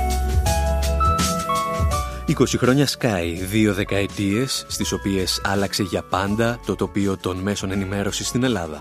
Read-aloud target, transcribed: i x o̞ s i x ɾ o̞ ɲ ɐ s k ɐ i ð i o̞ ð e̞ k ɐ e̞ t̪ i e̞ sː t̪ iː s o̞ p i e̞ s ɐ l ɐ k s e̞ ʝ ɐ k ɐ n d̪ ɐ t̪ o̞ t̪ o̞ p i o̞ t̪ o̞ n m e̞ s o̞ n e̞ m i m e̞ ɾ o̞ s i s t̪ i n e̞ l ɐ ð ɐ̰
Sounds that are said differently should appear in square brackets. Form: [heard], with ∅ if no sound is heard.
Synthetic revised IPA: i [k] o̞ s i x ɾ o̞ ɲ ɐ s k ɐ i ð i o̞ ð e̞ k ɐ e̞ t̪ i e̞ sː t̪ [i] s o̞ p i e̞ s ɐ l ɐ k s e̞ ʝ ɐ [p] ɐ n d̪ ɐ t̪ o̞ t̪ o̞ p i o̞ t̪ o̞ n m e̞ s o̞ n e̞ [n] i m e̞ ɾ o̞ s i s t̪ i n e̞ l ɐ ð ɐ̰